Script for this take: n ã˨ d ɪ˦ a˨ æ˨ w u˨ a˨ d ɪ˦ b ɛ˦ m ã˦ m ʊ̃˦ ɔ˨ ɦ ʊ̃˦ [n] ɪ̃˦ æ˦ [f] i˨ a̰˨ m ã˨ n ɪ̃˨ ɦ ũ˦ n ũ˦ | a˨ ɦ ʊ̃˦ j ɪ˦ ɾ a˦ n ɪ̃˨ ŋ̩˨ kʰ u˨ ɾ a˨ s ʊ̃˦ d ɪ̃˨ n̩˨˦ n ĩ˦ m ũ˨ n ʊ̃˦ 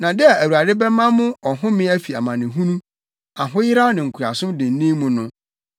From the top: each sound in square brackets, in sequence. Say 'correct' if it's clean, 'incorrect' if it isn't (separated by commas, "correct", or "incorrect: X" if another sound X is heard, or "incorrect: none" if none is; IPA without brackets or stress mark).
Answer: incorrect: m, correct